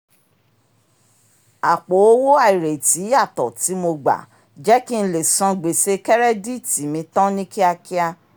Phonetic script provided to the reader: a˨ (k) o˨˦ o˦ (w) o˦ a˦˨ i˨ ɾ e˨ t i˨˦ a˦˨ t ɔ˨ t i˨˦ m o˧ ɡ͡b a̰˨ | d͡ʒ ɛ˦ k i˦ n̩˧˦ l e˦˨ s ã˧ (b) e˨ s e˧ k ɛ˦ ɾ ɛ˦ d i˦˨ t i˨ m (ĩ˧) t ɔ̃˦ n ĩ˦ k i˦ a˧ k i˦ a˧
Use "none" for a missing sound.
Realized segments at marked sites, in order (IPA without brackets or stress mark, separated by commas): k͡p, w, ɡ͡b, ĩ˧